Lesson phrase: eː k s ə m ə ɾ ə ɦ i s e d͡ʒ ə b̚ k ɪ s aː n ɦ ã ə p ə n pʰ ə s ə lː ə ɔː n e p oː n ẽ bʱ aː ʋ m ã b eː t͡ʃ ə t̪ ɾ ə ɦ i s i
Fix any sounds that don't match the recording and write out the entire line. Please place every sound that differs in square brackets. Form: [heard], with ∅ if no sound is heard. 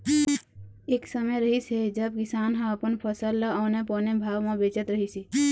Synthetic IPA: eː k s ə m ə ɾ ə ɦ i s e d͡ʒ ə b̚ k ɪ s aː n ɦ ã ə p ə n pʰ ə s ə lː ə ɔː n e p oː n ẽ bʱ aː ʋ m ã b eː t͡ʃ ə t̪ ɾ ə ɦ i s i